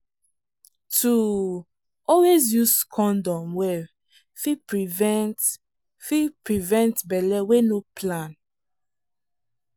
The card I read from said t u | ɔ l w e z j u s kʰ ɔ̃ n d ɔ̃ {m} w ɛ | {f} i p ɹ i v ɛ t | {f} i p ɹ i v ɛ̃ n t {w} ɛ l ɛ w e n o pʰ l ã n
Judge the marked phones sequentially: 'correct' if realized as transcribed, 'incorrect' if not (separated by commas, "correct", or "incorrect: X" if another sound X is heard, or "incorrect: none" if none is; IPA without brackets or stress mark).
correct, correct, correct, incorrect: b